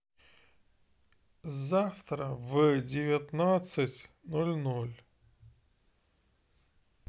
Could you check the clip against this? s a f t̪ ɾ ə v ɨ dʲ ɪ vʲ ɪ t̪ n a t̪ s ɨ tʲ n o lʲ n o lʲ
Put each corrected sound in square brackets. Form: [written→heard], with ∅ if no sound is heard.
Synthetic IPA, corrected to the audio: [s→z] a f t̪ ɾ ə v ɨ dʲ ɪ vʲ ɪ t̪ n a t̪ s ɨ tʲ n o lʲ n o lʲ